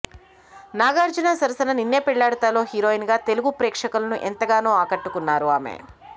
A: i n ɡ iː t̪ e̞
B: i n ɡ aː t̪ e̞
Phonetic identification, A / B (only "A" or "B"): B